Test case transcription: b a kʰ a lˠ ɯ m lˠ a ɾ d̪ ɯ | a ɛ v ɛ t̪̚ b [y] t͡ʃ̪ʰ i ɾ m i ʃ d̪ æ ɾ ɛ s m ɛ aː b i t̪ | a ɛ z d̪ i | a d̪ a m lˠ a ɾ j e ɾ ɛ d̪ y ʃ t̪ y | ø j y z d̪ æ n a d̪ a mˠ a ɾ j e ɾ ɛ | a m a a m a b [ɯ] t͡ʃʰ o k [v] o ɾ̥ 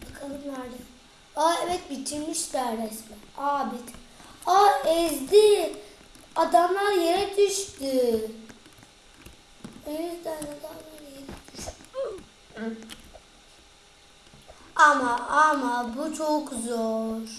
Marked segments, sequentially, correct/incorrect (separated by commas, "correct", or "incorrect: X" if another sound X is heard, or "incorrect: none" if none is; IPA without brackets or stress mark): incorrect: i, incorrect: u, incorrect: z